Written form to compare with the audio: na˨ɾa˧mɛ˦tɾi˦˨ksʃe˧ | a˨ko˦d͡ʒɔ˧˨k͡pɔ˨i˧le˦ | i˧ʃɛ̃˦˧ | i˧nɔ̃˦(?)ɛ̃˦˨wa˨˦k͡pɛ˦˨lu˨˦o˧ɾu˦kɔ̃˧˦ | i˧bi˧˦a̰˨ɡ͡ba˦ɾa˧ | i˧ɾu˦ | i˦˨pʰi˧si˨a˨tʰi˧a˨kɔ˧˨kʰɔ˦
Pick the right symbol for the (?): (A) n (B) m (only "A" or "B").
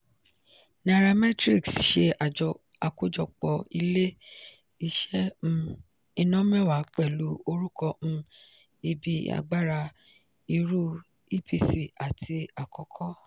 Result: B